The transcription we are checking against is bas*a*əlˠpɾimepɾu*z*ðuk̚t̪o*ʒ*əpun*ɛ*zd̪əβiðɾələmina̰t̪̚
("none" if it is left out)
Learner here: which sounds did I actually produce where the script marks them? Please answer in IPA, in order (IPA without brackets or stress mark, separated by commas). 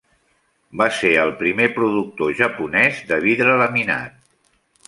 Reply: e, none, ʒ, ɛ